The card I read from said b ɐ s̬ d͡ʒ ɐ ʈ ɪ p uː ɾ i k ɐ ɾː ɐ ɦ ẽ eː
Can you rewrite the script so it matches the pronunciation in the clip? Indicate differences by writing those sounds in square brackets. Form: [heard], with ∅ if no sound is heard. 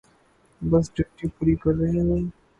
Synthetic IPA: b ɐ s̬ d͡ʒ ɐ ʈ [i] p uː ɾ i k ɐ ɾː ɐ ɦ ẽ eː